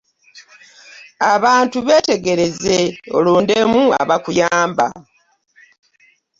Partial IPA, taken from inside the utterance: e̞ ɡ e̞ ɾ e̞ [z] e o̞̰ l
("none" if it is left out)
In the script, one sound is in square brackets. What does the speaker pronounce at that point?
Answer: z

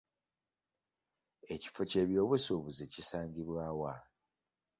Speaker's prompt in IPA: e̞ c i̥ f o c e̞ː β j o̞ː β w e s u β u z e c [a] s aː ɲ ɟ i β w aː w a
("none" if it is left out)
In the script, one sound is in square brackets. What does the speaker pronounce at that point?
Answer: i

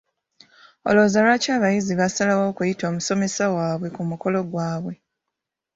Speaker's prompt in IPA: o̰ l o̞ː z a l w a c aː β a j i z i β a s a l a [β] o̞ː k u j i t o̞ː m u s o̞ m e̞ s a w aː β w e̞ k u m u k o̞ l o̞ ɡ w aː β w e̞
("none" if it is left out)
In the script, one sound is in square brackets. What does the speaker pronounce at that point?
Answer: w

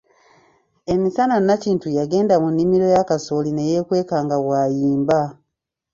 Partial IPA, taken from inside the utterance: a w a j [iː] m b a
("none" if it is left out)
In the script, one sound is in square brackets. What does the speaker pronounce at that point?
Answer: iː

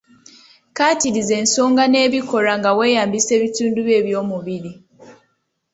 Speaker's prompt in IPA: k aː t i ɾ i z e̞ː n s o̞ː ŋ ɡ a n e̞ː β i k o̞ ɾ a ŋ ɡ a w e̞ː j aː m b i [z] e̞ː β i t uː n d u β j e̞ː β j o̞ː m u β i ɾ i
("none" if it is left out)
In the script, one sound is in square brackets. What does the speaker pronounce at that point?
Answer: s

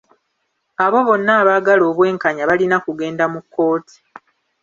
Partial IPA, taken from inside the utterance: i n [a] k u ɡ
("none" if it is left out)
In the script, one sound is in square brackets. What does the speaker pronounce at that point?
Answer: a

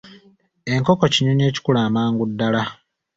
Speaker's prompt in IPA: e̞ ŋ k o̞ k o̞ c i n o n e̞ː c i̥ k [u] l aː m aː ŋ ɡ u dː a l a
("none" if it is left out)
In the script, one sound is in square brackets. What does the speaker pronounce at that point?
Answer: u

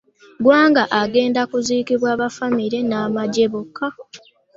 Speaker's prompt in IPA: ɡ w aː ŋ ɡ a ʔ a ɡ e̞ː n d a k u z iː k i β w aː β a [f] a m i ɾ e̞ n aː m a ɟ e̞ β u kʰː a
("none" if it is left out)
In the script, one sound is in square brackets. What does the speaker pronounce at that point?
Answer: f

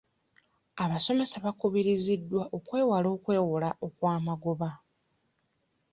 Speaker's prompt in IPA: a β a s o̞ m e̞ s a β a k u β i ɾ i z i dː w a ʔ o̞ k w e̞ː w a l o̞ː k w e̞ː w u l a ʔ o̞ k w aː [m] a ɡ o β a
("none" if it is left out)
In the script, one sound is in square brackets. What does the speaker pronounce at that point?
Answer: m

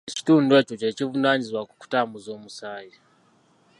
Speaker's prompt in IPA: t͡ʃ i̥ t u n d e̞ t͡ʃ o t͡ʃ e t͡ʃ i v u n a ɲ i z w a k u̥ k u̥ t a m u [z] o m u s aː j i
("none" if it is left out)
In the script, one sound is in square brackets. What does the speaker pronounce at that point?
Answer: z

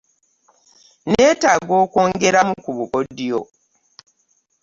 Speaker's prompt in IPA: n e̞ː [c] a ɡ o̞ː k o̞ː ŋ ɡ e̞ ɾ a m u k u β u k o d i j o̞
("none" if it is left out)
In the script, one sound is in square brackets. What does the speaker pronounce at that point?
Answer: t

